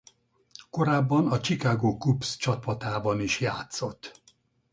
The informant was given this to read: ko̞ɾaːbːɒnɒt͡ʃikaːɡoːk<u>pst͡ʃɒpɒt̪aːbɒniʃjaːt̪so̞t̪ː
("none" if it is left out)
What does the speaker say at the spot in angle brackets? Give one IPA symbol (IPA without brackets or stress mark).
u